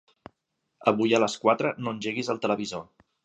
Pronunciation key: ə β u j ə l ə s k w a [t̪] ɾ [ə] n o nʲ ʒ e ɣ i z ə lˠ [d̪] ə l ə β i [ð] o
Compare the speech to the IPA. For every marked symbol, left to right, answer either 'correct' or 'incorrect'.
correct, correct, incorrect: t̪, incorrect: z

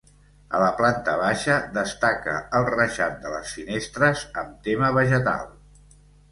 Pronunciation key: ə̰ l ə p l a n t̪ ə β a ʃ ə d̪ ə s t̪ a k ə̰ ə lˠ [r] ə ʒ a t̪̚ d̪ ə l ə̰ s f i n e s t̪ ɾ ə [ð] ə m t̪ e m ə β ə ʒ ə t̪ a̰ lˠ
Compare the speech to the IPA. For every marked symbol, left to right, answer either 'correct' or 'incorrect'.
correct, incorrect: z

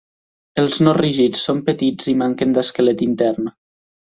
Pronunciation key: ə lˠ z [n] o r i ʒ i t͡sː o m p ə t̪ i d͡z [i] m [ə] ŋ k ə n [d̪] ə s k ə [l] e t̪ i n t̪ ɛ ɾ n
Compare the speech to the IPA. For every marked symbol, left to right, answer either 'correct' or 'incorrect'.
correct, correct, incorrect: a, correct, correct

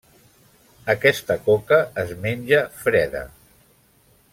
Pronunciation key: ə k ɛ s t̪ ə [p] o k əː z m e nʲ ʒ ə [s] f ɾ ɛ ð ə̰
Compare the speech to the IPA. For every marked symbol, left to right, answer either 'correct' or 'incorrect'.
incorrect: k, incorrect: none

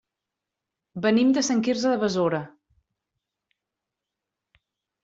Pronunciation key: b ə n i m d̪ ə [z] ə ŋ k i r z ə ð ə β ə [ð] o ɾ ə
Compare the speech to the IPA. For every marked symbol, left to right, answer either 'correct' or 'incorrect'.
incorrect: s, incorrect: z

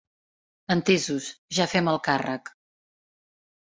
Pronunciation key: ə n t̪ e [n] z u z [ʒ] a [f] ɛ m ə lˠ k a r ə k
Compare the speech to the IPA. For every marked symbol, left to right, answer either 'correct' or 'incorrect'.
incorrect: none, correct, correct

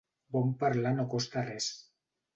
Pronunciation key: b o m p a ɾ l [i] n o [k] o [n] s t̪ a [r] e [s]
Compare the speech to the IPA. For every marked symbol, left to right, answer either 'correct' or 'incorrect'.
incorrect: a, correct, incorrect: none, correct, correct

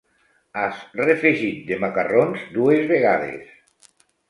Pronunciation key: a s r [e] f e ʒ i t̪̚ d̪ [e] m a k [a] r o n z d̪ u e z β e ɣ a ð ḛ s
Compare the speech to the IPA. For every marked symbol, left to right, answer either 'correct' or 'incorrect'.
correct, correct, correct

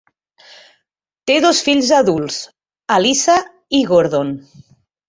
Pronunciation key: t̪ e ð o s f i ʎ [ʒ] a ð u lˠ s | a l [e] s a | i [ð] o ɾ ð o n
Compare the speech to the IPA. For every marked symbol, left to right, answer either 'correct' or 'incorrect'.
incorrect: z, incorrect: i, incorrect: ɣ

